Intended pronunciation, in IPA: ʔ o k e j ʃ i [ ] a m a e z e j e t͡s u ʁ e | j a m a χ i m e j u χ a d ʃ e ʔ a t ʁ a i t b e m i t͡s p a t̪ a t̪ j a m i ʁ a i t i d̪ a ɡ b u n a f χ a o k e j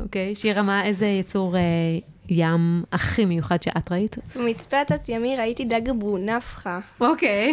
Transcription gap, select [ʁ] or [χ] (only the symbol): ʁ